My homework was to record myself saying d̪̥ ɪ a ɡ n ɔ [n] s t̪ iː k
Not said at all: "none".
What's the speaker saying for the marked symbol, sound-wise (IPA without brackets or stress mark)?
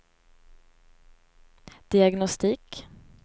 none